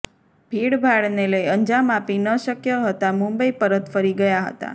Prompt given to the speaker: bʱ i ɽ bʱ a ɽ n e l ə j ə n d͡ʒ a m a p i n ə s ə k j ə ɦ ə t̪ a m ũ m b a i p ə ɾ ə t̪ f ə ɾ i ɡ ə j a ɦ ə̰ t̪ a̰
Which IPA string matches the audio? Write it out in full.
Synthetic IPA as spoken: bʱ i ɽ bʱ a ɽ n e l ə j ə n d͡ʒ a m a p i n ə ʃ ə k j ə ɦ ə t̪ a m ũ m b ə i p ə ɾ ə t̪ f ə ɾ i ɡ ə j a ɦ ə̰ t̪ a̰